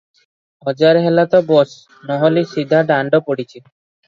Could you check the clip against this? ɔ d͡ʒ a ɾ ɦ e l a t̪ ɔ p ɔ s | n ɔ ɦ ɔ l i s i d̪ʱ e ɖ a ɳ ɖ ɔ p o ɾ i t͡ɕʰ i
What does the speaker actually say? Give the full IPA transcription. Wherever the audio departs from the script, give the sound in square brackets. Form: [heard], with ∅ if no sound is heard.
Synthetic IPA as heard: ɔ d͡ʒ a ɾ ɦ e l a t̪ ɔ [b] ɔ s | n ɔ ɦ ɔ l i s i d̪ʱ [a] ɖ a ɳ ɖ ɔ p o [ɽ] i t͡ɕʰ i